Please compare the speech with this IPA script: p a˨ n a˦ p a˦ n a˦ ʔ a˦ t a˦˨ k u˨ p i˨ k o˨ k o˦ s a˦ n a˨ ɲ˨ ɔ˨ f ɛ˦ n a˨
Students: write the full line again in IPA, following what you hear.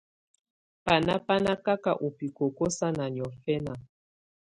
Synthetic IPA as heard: p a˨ n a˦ p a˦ n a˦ k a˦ k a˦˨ ʔ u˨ p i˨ k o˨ k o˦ s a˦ n a˨ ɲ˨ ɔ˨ f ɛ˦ n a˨